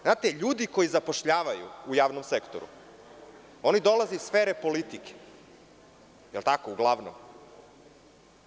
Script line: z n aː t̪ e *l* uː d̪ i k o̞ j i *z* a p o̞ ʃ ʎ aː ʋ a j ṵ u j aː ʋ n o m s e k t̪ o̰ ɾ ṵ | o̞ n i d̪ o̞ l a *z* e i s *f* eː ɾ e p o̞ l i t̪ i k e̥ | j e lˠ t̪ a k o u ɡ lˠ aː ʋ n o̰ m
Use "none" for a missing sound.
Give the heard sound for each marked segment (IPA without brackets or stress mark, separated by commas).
ʎ, z, z, f